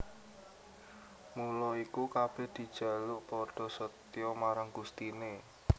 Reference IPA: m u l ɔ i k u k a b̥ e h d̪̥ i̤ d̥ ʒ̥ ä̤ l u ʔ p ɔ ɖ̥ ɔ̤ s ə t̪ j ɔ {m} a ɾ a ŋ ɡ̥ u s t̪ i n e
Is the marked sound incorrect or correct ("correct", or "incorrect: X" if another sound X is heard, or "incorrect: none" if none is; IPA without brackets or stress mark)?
correct